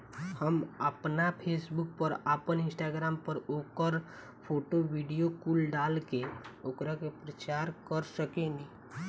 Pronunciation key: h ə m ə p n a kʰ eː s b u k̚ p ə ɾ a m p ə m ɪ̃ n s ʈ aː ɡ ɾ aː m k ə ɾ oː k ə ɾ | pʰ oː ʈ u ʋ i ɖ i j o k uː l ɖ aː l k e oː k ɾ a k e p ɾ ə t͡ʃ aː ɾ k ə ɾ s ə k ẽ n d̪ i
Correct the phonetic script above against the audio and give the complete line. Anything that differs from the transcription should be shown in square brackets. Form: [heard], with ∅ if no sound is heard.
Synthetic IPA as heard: h ə m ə p n a [pʰ] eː s b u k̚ p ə ɾ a [∅] p ə [n] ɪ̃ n s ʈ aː ɡ ɾ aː m [p] ə ɾ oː k ə ɾ | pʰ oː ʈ [o] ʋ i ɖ i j o k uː l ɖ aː l k e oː k ɾ a k e p ɾ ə t͡ʃ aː ɾ k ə ɾ s ə k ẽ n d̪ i